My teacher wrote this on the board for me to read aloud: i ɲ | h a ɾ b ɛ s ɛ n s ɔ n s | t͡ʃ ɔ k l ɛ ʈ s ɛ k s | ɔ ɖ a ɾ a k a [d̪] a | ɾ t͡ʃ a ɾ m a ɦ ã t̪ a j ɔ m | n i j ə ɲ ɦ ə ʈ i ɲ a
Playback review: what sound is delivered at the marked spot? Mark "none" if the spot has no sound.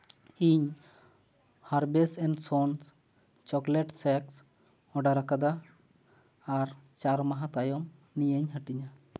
d̪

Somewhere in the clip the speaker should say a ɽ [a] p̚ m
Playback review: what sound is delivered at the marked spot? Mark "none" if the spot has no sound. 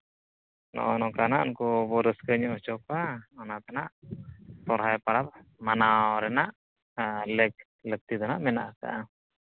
a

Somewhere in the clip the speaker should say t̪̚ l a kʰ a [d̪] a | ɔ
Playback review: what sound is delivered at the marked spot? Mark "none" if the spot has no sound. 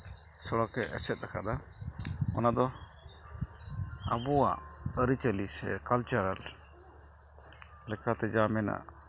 d̪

